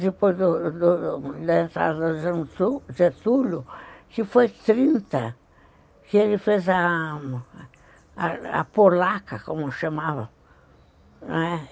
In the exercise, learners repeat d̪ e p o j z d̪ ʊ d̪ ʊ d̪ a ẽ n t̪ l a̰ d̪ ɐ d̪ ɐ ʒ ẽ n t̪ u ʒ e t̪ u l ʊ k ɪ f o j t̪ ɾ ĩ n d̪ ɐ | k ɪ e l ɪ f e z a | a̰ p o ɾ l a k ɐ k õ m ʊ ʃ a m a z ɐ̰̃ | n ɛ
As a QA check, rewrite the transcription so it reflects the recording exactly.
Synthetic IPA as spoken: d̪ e p o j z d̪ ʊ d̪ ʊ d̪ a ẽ n t̪ ɾ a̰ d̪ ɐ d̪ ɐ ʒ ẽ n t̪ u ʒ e t̪ u l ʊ k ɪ f o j t̪ ɾ ĩ n t̪ ɐ | k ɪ e l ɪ f e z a | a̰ p o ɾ l a k ɐ k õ m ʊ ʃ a m a v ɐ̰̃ | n ɛ